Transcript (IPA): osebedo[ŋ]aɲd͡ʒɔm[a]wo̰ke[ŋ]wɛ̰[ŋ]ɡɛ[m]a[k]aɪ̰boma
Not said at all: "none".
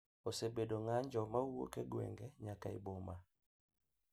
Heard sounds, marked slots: ŋ, a, ɡ, ŋ, ɲ, k

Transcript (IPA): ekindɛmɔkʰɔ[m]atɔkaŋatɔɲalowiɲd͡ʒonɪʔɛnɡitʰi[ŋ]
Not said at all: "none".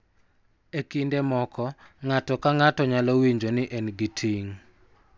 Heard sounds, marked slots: ŋ, ŋ

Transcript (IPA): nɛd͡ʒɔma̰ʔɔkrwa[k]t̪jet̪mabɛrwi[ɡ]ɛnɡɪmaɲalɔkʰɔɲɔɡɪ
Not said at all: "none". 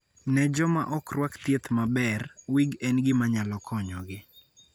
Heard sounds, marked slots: k, ɡ

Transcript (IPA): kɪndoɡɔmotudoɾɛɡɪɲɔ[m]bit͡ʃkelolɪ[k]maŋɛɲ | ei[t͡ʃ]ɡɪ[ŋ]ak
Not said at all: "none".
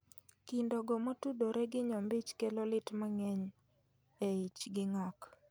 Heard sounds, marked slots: m, t, t͡ʃ, ŋ

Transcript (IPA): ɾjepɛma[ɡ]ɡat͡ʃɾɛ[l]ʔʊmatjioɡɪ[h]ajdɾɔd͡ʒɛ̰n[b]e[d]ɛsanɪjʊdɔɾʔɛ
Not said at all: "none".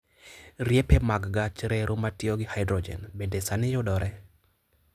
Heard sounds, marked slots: ɡ, ɾ, h, b, d

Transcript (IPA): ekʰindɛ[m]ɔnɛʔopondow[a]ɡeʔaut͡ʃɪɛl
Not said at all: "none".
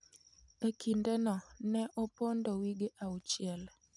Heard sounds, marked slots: n, i

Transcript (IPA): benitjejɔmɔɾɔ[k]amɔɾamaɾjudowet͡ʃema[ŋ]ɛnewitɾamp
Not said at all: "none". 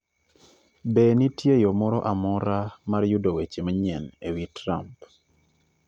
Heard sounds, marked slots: ʔ, ɲ

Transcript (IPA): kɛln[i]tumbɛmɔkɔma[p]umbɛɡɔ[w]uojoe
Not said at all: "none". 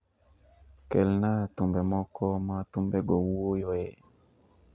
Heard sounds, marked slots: a, t, w

